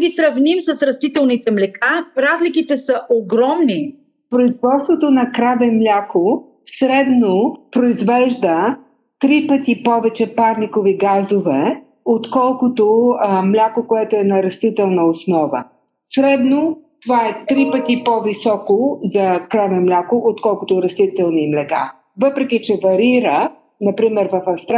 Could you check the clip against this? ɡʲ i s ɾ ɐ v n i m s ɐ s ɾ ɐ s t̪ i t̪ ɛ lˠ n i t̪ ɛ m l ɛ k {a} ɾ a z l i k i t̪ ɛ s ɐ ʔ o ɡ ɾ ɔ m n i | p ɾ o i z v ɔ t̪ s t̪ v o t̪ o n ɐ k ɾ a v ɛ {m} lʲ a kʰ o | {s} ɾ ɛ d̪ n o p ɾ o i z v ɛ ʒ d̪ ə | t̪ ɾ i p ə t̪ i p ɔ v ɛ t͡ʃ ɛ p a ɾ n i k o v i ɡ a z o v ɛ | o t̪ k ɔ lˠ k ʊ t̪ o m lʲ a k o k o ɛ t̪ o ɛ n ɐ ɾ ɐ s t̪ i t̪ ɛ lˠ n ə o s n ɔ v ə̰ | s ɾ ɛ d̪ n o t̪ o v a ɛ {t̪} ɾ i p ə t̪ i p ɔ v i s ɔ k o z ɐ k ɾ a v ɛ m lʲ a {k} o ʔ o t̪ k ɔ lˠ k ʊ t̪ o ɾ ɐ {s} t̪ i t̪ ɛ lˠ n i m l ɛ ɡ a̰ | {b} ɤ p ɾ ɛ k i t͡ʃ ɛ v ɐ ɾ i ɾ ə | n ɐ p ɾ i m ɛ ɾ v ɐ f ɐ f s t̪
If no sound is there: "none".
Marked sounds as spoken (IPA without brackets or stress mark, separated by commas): a, m, s, t̪, k, s, v